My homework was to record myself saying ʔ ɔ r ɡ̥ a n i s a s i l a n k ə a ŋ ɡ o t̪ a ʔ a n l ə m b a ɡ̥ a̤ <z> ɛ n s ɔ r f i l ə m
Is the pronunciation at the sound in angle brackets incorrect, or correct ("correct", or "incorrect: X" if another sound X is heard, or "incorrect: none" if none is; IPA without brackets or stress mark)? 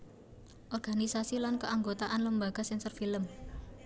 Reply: incorrect: s